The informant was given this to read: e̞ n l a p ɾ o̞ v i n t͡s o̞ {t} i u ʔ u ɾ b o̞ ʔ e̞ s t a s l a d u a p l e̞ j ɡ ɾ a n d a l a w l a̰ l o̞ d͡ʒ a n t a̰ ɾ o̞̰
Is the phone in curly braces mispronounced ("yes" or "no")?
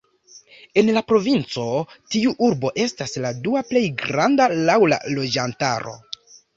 no